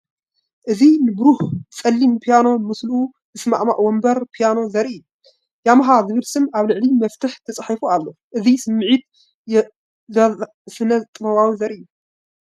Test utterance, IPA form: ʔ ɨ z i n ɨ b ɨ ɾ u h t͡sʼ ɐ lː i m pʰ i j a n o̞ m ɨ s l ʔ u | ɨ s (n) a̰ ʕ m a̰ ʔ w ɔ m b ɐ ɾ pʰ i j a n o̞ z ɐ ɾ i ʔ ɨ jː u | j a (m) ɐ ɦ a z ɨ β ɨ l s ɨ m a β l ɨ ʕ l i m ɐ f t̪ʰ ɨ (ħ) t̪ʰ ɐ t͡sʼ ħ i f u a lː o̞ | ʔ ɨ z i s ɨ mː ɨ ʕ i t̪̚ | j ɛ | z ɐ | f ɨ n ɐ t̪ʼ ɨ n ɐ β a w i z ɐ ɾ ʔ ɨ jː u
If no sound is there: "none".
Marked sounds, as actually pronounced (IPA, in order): m, m, ħ

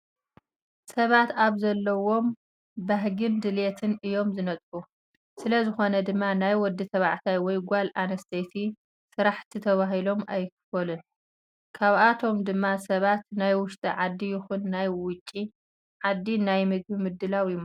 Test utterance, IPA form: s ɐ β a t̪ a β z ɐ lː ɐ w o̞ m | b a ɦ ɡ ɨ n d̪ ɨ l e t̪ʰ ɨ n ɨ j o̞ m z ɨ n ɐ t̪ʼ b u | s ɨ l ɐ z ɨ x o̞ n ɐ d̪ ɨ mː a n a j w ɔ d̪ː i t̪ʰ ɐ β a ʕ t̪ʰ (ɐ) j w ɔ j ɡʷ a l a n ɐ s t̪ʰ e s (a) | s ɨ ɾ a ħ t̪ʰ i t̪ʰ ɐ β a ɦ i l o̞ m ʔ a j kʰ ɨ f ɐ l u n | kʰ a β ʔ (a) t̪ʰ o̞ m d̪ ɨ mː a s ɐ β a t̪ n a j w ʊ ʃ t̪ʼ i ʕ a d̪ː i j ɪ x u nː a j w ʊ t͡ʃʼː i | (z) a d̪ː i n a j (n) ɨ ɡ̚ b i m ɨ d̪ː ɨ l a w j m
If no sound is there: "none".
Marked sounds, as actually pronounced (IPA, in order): a, i, a, ʕ, m

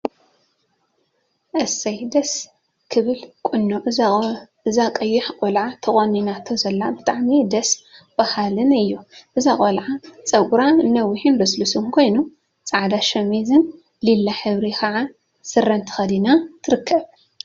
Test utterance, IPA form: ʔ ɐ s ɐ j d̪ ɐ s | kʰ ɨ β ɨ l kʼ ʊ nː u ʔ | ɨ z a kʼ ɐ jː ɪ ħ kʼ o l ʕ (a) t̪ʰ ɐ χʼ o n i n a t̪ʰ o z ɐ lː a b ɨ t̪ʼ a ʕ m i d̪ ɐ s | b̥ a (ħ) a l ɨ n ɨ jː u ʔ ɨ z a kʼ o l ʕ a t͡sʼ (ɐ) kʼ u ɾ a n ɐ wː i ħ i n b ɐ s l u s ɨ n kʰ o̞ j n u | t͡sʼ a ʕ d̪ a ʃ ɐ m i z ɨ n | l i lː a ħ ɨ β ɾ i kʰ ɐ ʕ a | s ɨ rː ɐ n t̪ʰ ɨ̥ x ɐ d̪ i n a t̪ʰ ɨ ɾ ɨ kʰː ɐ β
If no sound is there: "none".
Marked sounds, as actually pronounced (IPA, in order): a, h, ɐ

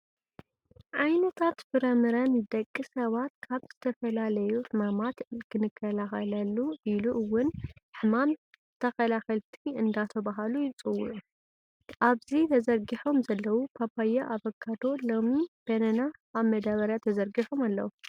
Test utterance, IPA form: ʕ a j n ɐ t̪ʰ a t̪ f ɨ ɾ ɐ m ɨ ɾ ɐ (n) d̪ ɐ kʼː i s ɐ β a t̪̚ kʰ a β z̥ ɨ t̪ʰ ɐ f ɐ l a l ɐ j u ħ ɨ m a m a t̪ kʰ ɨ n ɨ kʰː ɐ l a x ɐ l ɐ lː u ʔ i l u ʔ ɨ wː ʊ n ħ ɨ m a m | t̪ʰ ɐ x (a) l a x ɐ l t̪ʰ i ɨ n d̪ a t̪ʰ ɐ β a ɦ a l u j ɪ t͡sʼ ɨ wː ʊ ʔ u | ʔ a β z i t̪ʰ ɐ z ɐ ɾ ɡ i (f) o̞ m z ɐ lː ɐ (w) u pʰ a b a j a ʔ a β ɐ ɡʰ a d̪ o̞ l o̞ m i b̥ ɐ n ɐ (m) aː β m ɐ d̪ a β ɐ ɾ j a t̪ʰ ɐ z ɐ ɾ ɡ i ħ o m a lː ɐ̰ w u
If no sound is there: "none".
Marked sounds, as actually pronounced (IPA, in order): n, ɐ, ħ, w, n

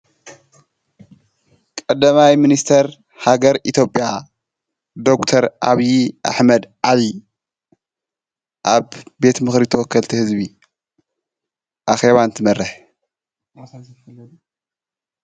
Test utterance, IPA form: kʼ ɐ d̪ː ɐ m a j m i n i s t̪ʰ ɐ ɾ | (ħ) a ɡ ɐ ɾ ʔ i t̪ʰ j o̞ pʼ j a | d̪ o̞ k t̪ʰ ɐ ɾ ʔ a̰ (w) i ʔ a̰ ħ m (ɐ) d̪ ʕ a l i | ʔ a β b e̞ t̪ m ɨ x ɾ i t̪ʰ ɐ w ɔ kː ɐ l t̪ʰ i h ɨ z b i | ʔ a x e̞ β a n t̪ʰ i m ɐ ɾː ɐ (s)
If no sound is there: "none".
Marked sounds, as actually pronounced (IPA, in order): h, β, ɐ, ħ

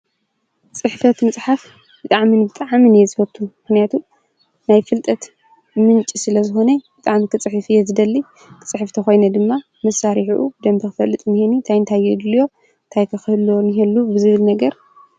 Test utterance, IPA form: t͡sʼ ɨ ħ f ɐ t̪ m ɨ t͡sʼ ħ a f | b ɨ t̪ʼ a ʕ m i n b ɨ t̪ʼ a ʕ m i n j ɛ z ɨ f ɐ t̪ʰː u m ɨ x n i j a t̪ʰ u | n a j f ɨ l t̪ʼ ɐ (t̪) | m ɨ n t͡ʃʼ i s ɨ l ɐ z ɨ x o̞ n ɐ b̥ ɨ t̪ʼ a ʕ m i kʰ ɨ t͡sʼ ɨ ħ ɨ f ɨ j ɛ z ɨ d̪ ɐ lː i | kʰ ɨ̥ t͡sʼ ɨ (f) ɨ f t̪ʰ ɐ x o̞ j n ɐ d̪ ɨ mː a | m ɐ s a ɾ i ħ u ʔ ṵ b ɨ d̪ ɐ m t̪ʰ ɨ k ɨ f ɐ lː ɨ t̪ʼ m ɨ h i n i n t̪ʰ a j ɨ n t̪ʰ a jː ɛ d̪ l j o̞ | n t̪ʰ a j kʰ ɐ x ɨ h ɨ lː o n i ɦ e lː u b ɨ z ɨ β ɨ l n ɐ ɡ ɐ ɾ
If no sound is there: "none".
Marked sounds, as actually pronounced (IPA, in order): t̪, ħ

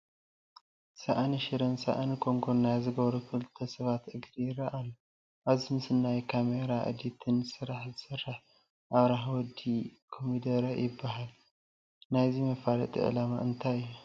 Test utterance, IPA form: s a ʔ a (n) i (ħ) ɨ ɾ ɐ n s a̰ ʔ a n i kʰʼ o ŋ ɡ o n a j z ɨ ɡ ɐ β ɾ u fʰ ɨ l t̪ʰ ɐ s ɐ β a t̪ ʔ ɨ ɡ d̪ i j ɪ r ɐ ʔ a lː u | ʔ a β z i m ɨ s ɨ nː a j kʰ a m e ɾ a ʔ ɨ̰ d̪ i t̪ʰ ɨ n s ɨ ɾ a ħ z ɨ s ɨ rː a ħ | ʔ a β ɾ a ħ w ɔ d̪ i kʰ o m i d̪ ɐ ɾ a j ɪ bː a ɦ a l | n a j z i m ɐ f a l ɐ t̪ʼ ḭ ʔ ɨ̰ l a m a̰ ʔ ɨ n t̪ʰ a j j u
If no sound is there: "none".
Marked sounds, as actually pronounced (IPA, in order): n, ʃ

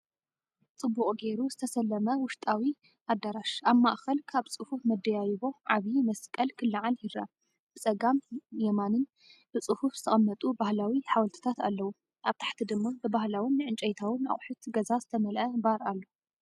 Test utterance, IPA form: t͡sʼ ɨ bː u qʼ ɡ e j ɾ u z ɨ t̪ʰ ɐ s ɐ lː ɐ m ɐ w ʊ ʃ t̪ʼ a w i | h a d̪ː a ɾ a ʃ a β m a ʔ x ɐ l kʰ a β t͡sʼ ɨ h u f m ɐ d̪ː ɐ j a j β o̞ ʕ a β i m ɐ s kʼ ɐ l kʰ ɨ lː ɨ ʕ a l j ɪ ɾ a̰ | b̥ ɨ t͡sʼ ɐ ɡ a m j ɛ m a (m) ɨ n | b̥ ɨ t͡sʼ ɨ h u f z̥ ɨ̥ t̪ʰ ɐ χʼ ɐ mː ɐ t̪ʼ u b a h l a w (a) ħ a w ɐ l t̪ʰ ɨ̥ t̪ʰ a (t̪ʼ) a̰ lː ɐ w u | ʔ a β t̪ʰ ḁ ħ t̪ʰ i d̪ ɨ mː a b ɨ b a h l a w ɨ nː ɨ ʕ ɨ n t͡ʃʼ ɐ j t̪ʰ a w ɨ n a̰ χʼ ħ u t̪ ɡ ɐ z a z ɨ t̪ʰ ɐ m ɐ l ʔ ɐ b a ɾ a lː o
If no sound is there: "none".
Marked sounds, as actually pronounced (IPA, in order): n, i, t̪

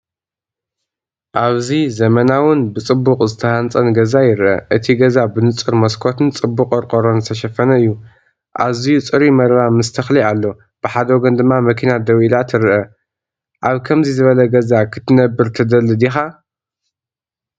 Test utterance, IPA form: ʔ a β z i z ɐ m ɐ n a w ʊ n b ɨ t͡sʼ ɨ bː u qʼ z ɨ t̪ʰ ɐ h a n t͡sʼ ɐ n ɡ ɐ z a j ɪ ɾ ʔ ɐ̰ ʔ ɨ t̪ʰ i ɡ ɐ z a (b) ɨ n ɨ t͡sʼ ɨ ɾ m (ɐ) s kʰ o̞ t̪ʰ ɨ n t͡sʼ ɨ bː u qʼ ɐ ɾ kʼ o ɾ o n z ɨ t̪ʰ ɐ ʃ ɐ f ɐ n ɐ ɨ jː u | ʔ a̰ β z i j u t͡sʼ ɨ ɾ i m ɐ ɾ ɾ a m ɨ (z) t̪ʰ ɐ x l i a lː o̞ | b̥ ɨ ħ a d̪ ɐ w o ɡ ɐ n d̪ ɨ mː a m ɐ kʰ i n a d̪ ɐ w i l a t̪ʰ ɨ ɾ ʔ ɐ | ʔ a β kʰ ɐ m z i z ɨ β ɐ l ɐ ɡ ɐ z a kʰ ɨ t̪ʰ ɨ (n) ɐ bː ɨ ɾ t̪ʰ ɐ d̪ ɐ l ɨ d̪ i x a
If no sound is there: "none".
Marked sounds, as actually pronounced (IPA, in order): b, ɐ, s, n

